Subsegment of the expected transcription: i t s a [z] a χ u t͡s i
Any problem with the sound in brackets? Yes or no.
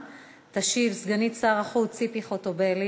yes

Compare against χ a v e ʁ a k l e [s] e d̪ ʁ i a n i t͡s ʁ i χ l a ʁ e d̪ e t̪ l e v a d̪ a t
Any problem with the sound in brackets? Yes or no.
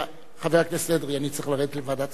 no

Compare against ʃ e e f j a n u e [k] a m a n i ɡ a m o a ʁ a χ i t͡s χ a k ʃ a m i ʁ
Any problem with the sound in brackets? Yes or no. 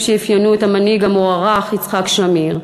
yes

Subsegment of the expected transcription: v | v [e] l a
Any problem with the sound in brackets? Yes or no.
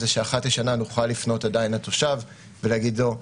no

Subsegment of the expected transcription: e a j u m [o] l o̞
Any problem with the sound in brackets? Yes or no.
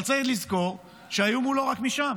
yes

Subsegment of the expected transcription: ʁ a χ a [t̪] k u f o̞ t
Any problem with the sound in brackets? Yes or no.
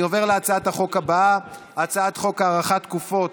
no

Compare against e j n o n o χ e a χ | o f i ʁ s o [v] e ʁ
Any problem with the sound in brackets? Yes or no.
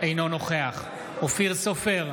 yes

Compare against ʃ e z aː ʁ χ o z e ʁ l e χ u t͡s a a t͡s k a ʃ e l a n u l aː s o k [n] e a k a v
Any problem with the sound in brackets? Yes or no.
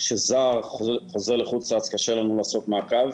yes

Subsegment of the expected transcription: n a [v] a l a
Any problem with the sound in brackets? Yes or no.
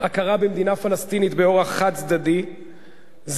yes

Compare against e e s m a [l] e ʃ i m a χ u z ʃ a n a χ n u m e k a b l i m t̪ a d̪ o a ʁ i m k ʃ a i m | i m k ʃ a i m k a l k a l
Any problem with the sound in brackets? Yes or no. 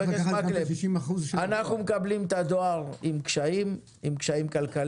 no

